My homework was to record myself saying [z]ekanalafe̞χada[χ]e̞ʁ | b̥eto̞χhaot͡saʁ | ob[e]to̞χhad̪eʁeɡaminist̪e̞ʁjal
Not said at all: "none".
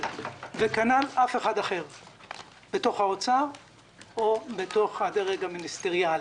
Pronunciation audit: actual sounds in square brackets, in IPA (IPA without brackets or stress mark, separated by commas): v, χ, e